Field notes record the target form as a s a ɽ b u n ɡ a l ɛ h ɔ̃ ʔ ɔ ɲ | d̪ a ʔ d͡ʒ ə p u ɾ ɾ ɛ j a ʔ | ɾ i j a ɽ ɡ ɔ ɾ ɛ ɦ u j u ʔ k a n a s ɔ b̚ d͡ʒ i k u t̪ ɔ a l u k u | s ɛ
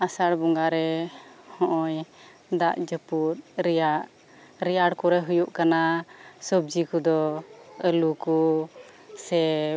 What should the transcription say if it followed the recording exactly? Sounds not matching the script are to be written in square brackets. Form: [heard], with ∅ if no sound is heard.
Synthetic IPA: a s a ɽ b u [ŋ] ɡ a [ɾ] ɛ h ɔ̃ ʔ ɔ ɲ | d̪ a ʔ d͡ʒ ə p u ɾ ɾ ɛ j a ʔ | ɾ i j a ɽ [k] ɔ ɾ ɛ ɦ u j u ʔ k a n a s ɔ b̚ d͡ʒ i k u [d̪] ɔ [ə] l u k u | s ɛ

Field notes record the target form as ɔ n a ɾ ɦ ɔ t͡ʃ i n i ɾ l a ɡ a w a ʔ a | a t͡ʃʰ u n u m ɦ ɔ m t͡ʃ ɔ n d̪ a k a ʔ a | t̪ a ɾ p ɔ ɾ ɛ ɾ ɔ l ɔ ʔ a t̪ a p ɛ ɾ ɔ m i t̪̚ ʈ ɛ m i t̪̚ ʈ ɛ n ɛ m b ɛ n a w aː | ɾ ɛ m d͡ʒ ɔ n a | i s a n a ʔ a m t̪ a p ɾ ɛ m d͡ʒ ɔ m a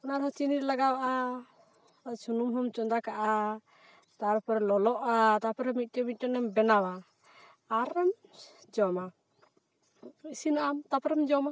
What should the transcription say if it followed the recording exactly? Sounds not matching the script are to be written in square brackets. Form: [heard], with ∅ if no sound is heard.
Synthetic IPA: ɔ n a ɾ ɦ ɔ t͡ʃ i n i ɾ l a ɡ a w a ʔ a | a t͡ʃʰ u n u m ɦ ɔ m t͡ʃ ɔ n d̪ a k a ʔ a | t̪ a ɾ p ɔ ɾ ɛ [l] ɔ l ɔ ʔ a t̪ a p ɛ ɾ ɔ m i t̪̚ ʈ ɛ m i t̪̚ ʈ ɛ n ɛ m b ɛ n a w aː | ɾ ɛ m d͡ʒ ɔ [m] a | i s [i] n a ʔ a m t̪ a p ɾ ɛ m d͡ʒ ɔ m a

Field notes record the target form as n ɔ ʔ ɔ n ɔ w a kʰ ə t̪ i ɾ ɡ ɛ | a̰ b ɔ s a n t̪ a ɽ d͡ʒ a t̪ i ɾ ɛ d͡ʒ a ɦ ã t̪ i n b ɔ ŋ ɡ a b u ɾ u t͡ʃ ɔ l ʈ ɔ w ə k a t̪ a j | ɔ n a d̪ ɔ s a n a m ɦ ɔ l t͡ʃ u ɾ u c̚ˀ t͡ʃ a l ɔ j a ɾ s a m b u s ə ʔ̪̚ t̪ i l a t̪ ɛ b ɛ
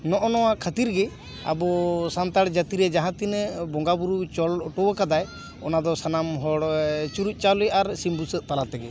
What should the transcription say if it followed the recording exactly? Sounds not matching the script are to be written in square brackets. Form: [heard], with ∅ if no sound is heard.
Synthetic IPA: n ɔ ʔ ɔ n ɔ w a kʰ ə t̪ i ɾ ɡ ɛ | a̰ b ɔ s a n t̪ a ɽ d͡ʒ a t̪ i ɾ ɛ d͡ʒ a ɦ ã t̪ i n b ɔ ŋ ɡ a b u ɾ u t͡ʃ ɔ l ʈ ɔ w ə k a [d̪] a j | ɔ n a d̪ ɔ s a n a m ɦ ɔ [ɽ] t͡ʃ u ɾ u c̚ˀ t͡ʃ a l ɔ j a ɾ s [i] m b u s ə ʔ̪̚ t̪ [a] l a t̪ ɛ [ɡ] ɛ

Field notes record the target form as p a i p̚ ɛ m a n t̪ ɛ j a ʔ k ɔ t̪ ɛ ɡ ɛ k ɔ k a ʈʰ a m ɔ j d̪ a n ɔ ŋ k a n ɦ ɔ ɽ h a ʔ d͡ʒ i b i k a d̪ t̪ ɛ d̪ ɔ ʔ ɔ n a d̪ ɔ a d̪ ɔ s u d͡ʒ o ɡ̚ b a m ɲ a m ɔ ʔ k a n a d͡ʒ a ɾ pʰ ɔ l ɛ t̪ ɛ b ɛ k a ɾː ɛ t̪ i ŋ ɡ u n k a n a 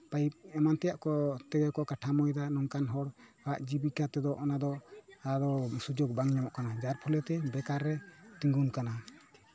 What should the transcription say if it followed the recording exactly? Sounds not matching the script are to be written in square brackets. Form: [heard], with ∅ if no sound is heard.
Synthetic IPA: p a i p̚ ɛ m a n t̪ ɛ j a ʔ k ɔ t̪ ɛ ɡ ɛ k ɔ k a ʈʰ a m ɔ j d̪ a n ɔ ŋ k a n ɦ ɔ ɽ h a ʔ d͡ʒ i b i k a [∅] t̪ ɛ d̪ ɔ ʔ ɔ n a d̪ ɔ a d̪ ɔ s u d͡ʒ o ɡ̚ b a [ŋ] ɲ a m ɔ ʔ k a n a d͡ʒ a ɾ pʰ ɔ l ɛ t̪ ɛ b ɛ k a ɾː ɛ t̪ i ŋ ɡ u n k a n a

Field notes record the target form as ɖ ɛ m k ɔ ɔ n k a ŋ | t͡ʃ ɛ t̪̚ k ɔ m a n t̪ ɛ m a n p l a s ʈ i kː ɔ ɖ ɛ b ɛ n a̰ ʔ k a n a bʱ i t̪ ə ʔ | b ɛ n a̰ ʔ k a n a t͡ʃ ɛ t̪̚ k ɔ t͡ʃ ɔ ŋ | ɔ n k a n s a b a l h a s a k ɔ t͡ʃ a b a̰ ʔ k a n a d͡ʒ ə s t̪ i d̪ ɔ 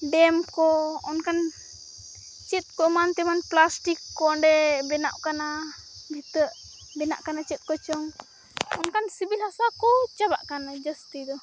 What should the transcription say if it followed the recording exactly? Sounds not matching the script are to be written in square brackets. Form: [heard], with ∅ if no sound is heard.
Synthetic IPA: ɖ ɛ m k ɔ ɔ n k a [n] | t͡ʃ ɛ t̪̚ k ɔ m a n t̪ ɛ m a n p l a s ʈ i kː ɔ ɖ ɛ b ɛ n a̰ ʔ k a n a bʱ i t̪ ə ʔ | b ɛ n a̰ ʔ k a n a t͡ʃ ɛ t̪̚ k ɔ t͡ʃ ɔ ŋ | ɔ n k a n s [i] b [i] l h a s a k ɔ t͡ʃ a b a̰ ʔ k a n a d͡ʒ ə s t̪ i d̪ ɔ

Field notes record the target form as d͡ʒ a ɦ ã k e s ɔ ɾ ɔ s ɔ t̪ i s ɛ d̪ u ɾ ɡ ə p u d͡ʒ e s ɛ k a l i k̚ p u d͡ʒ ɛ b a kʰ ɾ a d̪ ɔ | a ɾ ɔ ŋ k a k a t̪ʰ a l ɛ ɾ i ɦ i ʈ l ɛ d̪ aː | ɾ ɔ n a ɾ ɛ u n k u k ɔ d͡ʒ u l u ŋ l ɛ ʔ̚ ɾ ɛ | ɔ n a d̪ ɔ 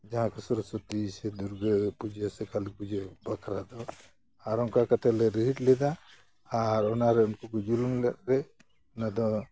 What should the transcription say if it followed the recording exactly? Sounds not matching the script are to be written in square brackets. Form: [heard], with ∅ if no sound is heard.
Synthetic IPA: d͡ʒ a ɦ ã k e s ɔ ɾ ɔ s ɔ t̪ i s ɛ d̪ u ɾ ɡ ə p u d͡ʒ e s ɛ k a l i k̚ p u d͡ʒ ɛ b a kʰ ɾ a d̪ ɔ | a ɾ ɔ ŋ k a k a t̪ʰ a l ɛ ɾ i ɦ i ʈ l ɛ d̪ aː | ɾ ɔ n a ɾ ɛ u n k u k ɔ d͡ʒ u l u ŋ l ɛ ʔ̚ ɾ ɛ | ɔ n a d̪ ɔ

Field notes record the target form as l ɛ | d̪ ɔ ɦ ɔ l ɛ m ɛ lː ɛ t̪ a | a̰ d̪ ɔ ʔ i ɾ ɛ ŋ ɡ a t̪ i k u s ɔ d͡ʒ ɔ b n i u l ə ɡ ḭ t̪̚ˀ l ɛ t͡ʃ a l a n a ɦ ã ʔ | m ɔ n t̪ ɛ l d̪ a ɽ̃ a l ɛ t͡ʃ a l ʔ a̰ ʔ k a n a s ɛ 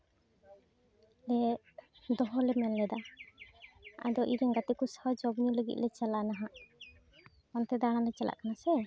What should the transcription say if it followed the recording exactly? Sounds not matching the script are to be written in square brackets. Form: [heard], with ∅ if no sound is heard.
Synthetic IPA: l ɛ | d̪ ɔ ɦ ɔ l ɛ m ɛ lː ɛ [d̪] a | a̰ d̪ ɔ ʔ i ɾ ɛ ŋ ɡ a t̪ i k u s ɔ d͡ʒ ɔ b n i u l ə ɡ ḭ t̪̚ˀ l ɛ t͡ʃ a l a n a ɦ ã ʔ | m ɔ n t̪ ɛ [∅] d̪ a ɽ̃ a l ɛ t͡ʃ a l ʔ a̰ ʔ k a n a s ɛ

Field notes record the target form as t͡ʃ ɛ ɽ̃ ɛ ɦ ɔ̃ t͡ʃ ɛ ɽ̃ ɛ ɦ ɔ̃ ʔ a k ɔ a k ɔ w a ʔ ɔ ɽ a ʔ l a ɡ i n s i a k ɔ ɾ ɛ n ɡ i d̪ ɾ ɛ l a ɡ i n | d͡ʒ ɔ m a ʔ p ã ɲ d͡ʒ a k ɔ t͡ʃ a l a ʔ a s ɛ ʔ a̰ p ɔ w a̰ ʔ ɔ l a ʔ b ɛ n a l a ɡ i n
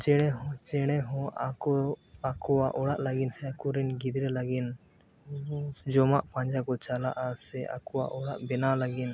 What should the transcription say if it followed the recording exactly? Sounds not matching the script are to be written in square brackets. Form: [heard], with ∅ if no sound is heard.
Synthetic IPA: t͡ʃ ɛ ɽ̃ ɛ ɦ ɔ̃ t͡ʃ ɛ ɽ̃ ɛ ɦ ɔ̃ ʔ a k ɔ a k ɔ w a ʔ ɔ ɽ a ʔ l a ɡ i n s [ɛ] a k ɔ ɾ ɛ n ɡ i d̪ ɾ ɛ l a ɡ i n | d͡ʒ ɔ m a ʔ p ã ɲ d͡ʒ a k ɔ t͡ʃ a l a ʔ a s ɛ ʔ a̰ [k] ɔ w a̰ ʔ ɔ [ɽ] a ʔ b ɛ n a l a ɡ i n

